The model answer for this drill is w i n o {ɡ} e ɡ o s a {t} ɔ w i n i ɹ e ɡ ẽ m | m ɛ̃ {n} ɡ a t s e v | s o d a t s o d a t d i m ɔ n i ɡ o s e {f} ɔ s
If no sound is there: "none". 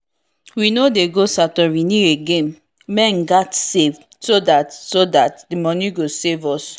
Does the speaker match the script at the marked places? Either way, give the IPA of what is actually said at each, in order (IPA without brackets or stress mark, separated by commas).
d, t, n, v